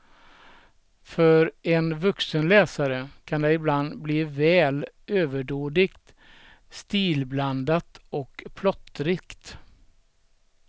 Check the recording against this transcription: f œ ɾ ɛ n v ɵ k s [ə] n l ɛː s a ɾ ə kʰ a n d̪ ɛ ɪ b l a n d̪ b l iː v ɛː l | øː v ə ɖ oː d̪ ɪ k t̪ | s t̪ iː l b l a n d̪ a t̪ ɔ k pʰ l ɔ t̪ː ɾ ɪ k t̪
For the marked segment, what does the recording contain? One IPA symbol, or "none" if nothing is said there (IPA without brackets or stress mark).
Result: ə